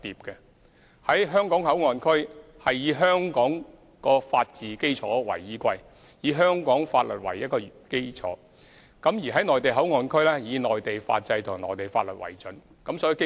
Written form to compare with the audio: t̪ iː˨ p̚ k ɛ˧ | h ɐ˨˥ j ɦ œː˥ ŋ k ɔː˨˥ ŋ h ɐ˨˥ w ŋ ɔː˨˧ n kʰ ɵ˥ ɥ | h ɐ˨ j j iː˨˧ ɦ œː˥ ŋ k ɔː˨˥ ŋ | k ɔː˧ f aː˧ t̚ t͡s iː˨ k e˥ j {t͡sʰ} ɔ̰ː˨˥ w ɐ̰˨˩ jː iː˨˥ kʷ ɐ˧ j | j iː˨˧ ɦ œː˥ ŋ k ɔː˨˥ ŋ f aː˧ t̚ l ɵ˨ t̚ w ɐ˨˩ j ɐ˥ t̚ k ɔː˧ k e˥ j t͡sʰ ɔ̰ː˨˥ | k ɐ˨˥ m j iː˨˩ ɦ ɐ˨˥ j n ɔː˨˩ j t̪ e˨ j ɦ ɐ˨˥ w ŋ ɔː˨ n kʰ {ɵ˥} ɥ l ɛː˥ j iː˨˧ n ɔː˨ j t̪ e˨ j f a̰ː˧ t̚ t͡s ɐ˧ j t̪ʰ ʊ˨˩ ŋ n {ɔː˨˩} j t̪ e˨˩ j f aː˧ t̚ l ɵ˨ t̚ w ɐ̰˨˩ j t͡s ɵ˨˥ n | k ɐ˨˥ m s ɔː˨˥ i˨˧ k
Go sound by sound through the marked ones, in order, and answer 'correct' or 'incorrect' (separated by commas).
correct, correct, correct